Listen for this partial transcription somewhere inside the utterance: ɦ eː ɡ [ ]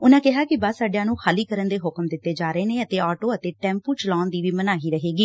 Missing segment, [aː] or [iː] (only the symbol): iː